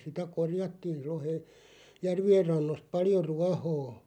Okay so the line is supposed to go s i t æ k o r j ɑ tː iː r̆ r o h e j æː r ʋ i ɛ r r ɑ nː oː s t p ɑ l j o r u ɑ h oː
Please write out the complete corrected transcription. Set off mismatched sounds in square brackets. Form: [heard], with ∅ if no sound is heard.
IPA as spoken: s i t æ k o r j ɑ tː iː r̆ r o h e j [æ] r ʋ i [e] r r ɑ nː [o] s t p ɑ l j o r u ɑ h oː

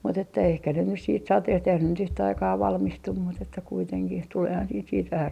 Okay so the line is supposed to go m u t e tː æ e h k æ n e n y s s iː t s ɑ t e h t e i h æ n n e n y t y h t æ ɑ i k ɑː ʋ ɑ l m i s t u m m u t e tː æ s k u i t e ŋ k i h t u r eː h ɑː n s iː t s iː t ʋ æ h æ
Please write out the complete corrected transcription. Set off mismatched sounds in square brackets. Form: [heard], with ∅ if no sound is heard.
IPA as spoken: m u t e tː æ e h k æ n e n y s s iː t s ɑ t e h t e i h æ n n e n y t y h t æ ɑ i k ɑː ʋ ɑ l m i s t u m m u t e tː æ [∅] k u i t e ŋ k i h t u [l] eː h [ɑ] n s iː t s iː t ʋ æ h æ

